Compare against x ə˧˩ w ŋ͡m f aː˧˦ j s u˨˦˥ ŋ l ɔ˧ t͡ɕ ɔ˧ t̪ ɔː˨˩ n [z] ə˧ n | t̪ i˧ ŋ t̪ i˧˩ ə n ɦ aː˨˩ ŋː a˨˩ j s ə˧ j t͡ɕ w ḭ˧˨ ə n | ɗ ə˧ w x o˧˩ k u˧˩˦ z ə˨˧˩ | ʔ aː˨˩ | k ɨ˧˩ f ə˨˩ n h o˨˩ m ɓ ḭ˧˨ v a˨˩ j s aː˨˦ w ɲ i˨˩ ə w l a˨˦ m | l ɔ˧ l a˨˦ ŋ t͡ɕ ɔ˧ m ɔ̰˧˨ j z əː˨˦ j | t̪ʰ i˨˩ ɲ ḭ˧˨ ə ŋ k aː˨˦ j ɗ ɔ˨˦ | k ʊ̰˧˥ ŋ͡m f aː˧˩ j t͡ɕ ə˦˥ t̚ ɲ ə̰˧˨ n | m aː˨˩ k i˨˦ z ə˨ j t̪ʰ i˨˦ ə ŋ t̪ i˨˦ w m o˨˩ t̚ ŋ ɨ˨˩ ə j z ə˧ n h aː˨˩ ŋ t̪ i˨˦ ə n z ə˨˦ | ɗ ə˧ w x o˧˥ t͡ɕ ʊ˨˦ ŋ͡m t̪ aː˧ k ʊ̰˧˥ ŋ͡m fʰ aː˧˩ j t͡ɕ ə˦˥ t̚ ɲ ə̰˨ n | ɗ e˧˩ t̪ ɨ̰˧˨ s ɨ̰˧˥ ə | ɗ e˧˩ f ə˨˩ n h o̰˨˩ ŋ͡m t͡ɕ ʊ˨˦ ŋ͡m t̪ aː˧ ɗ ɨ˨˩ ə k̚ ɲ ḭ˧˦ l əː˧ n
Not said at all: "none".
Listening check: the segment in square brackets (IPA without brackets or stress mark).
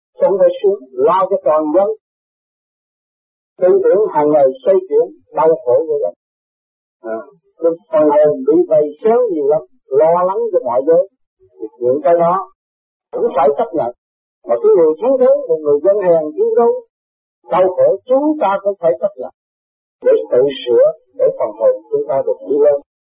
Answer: z